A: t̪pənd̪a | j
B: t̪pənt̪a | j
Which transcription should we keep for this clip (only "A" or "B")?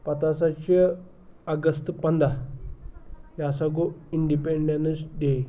A